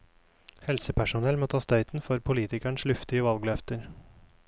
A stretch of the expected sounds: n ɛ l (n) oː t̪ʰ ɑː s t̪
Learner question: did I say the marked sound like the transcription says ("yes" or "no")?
no